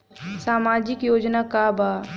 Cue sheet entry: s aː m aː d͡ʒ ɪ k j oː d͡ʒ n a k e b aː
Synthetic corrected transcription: s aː m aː d͡ʒ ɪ k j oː d͡ʒ n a k a b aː